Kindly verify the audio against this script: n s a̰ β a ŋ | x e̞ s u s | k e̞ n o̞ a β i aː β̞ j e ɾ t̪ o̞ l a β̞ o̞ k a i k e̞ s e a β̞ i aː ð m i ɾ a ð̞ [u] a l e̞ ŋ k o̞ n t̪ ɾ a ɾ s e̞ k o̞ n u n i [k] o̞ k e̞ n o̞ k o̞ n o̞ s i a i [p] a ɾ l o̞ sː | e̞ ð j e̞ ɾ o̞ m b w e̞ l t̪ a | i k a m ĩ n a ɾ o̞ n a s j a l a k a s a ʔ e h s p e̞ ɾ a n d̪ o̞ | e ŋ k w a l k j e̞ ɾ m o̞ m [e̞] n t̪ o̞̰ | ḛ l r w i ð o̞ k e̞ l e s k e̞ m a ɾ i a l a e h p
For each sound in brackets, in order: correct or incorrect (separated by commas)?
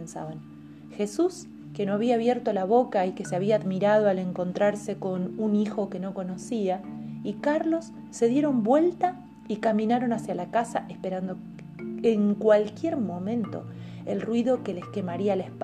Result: incorrect, incorrect, incorrect, incorrect